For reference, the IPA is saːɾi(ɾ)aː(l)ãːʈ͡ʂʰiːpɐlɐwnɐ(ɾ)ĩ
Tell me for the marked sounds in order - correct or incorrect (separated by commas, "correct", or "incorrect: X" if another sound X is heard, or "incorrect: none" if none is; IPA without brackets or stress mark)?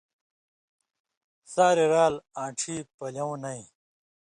correct, correct, incorrect: none